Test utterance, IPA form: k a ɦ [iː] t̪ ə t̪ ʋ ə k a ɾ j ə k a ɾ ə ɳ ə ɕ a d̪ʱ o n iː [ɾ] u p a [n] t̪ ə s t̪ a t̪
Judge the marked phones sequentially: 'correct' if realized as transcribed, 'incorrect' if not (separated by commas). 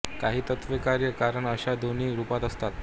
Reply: correct, correct, incorrect